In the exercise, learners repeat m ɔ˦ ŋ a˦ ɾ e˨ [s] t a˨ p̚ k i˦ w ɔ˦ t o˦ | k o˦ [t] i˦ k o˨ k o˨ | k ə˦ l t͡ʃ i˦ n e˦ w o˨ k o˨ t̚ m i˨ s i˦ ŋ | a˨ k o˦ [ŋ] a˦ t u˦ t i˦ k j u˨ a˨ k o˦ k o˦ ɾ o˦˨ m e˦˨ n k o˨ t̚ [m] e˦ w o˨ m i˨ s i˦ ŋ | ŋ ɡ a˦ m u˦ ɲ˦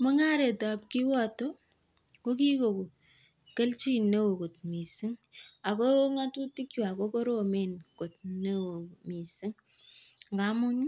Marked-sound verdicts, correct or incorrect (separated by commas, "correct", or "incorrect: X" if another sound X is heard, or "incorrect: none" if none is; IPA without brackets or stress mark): incorrect: none, incorrect: k, correct, incorrect: n